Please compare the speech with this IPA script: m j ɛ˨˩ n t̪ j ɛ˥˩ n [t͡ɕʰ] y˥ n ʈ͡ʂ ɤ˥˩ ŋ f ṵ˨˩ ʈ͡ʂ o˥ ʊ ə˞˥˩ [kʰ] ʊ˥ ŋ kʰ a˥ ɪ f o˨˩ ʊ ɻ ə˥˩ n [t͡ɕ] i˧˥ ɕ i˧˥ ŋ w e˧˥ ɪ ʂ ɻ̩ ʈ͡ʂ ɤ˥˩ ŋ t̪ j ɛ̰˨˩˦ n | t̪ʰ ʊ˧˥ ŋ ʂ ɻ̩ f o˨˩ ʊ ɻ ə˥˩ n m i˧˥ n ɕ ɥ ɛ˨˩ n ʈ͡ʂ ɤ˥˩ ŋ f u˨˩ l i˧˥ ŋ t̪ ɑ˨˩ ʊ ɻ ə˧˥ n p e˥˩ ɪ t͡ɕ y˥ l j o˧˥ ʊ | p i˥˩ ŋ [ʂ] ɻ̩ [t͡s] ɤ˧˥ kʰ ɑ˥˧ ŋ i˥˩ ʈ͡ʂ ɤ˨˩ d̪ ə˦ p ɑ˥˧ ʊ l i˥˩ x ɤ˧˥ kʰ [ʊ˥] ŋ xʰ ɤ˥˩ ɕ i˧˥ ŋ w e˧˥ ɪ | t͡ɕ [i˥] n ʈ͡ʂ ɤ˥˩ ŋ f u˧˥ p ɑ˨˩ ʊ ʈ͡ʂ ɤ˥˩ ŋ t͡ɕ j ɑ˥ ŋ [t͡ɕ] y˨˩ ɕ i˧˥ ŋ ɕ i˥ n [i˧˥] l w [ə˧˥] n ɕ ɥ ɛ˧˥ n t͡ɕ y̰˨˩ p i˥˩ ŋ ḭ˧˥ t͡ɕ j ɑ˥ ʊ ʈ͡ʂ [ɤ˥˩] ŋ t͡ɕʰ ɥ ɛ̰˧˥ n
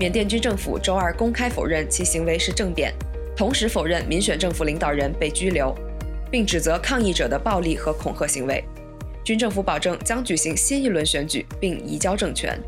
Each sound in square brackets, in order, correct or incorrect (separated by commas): incorrect, incorrect, incorrect, incorrect, correct, incorrect, incorrect, correct, incorrect, correct, correct